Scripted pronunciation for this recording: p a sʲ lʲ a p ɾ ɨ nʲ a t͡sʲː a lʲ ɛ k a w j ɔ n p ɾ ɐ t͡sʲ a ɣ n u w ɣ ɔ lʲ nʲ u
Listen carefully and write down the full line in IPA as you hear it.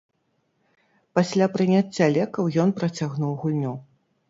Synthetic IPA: p a sʲ lʲ a p ɾ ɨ nʲ a t͡sʲː a lʲ ɛ k ɐ w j ɔ n p ɾ ɐ t͡sʲ a ɣ n u w ɣ u lʲ nʲ u